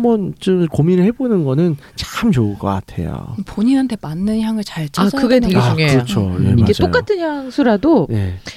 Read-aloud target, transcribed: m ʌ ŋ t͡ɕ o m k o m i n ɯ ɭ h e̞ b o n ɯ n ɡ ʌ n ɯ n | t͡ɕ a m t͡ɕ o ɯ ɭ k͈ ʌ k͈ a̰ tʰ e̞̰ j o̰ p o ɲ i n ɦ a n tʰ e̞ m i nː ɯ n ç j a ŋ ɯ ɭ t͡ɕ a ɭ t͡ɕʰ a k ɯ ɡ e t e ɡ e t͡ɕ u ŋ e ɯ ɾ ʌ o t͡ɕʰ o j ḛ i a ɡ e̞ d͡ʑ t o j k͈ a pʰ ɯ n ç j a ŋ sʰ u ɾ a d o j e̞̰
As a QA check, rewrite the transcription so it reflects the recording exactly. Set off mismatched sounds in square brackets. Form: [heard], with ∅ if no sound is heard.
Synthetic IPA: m ʌ [n] t͡ɕ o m k o m i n ɯ ɭ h e̞ b o n ɯ n ɡ ʌ n ɯ n | t͡ɕ a m t͡ɕ o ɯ ɭ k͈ ʌ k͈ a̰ tʰ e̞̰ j o̰ p o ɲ i n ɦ a n tʰ e̞ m [a] nː ɯ n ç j a ŋ ɯ ɭ t͡ɕ a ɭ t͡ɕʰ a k ɯ ɡ e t e ɡ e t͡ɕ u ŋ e ɯ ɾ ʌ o t͡ɕʰ o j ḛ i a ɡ e̞ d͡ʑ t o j k͈ a [tʰ] ɯ n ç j a ŋ sʰ u ɾ a d o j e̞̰